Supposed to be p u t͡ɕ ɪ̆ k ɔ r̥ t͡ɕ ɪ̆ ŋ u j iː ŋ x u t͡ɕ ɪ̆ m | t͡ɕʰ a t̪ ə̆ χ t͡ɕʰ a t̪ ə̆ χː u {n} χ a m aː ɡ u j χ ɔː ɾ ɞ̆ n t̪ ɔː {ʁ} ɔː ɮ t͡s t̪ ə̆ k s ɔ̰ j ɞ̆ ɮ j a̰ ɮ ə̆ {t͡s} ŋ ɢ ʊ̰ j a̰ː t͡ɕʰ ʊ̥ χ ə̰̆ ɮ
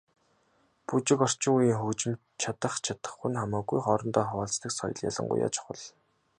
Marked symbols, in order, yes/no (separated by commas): yes, no, no